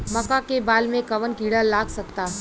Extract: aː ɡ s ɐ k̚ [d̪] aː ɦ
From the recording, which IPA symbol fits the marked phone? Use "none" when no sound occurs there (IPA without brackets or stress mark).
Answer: t̪